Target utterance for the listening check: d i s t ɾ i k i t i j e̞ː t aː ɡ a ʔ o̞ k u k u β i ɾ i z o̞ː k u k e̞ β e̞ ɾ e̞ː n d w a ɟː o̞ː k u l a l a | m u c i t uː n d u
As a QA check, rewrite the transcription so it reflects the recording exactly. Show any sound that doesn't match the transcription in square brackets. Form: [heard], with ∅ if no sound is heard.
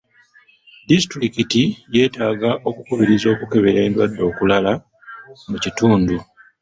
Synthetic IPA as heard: d i s t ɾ i k i t i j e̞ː t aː ɡ a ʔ o̞ k u k u β i ɾ i z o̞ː k u k e̞ β e̞ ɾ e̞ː n d w a [dː] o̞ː k u l a l a | m u c i t uː n d u